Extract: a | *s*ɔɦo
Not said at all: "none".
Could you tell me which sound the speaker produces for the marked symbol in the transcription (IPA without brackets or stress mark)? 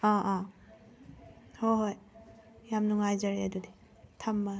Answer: h